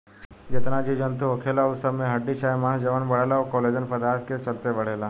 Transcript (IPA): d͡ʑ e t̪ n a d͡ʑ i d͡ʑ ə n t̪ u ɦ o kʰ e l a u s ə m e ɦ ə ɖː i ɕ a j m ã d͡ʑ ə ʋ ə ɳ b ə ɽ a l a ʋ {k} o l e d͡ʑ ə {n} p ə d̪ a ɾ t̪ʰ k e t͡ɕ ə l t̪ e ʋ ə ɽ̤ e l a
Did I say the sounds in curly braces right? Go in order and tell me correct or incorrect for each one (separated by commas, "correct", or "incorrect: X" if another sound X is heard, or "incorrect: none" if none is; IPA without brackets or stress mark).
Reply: correct, correct